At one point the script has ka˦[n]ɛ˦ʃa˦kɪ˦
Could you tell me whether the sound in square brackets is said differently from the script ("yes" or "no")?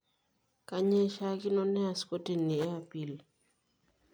yes